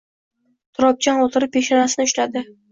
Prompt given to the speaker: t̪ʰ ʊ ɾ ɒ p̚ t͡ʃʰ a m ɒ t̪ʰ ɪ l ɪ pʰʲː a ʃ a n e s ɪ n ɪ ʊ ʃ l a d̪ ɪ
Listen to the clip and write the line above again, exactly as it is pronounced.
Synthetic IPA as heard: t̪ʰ ʊ ɾ ɒ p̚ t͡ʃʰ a n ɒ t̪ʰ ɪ ɾ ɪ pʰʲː e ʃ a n a s ɪ n ɪ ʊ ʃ l a d̪ ɪ